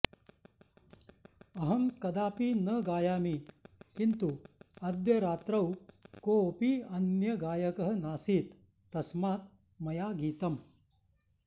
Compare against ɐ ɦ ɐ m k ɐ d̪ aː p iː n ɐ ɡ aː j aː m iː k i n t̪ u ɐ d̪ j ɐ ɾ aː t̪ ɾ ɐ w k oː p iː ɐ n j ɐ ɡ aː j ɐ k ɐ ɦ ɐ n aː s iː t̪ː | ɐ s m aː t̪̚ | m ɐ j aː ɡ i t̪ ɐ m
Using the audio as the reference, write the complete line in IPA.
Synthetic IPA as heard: ɐ ɦ ɐ m k ɐ d̪ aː p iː n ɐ ɡ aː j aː m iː k i n t̪ u ɐ d̪ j ɐ ɾ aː t̪ ɾ ɐ w k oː p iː ɐ n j ɐ ɡ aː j ɐ k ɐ ɦ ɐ n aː s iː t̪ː | ɐ s m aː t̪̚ | m ɐ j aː ɡ iː t̪ ɐ m